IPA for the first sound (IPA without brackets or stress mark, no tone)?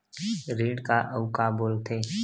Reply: ɾ